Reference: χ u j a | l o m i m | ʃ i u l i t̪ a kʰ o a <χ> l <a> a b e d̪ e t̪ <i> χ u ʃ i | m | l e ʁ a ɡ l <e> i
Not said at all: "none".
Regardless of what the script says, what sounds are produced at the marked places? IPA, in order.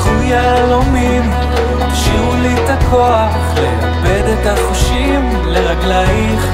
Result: χ, e, a, a

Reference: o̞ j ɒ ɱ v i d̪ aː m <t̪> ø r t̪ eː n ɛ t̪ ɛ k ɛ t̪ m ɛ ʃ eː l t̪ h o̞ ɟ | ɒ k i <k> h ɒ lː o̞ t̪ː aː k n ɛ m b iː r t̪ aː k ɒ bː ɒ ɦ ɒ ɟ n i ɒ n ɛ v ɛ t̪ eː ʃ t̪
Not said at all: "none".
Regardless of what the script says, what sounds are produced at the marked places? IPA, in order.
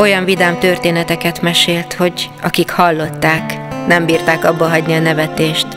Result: t̪, k

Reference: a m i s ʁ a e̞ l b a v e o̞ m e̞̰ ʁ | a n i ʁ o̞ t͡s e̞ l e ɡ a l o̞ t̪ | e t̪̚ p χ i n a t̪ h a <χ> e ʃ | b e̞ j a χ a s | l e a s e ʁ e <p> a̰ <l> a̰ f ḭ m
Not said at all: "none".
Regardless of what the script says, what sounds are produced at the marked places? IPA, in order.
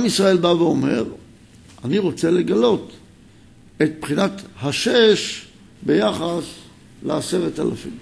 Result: ʃ, t, l

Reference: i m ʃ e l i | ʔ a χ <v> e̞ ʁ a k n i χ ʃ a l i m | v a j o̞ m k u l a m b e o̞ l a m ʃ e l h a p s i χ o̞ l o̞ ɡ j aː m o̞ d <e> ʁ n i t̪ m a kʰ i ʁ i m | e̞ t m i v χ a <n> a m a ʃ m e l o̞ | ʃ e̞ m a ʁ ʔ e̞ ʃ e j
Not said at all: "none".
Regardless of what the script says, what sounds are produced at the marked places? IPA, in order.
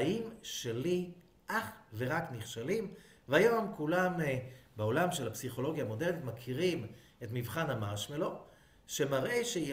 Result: v, e, n

